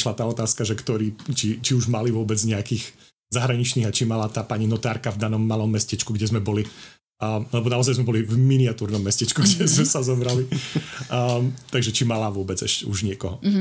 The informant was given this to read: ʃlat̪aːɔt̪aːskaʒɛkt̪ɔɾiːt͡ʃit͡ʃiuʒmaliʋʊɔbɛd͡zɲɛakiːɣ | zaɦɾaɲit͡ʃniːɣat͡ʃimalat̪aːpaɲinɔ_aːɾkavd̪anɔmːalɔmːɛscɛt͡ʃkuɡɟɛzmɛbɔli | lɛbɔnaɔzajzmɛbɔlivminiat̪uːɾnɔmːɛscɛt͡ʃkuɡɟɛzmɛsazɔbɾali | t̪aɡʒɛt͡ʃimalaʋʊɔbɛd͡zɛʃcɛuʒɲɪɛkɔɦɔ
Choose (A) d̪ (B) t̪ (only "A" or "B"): B